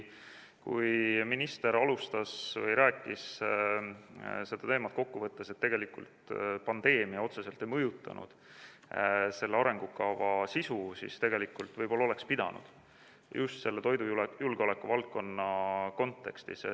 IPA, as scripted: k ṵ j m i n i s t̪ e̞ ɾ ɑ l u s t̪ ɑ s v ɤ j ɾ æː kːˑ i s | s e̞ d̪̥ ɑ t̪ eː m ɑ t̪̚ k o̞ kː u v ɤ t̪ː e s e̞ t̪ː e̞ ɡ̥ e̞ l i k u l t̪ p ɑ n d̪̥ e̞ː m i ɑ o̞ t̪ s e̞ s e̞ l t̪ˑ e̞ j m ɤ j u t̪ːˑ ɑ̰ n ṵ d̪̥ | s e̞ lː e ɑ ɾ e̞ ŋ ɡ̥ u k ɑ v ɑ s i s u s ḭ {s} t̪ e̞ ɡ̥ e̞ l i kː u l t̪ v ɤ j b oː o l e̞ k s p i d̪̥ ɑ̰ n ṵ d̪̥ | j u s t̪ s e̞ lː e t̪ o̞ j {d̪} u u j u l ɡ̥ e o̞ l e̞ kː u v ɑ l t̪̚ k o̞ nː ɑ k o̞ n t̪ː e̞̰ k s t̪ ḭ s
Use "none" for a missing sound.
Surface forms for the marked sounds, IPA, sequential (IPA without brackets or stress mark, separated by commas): s, d̪